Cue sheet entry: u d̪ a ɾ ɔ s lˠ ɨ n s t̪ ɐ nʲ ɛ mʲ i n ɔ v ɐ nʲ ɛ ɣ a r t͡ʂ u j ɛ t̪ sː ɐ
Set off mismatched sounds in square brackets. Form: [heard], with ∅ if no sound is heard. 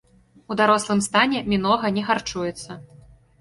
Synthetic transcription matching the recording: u d̪ a ɾ ɔ s lˠ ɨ [m] s t̪ [a] nʲ ɛ mʲ i n ɔ [ɣ] ɐ nʲ ɛ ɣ a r t͡ʂ u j ɛ t̪ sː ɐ